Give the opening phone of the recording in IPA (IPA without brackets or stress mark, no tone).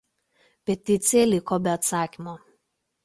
pʲ